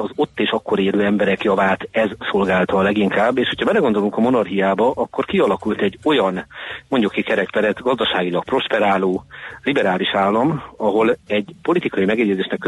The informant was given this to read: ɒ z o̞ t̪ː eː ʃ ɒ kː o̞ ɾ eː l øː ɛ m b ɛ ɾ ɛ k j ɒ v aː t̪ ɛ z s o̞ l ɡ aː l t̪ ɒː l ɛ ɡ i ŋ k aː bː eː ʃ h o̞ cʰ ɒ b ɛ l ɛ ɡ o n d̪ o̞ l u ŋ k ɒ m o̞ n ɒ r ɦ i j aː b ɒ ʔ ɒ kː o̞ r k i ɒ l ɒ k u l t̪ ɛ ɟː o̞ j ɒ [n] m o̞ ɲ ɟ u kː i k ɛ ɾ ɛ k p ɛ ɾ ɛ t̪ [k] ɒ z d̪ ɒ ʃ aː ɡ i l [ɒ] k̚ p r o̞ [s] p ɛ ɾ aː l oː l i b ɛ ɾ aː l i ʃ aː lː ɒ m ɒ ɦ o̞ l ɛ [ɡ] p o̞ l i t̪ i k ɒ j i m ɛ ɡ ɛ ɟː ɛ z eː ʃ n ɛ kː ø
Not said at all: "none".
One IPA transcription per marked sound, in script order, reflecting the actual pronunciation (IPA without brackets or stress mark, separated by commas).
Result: n, ɡ, ɒ, ʃ, ɟ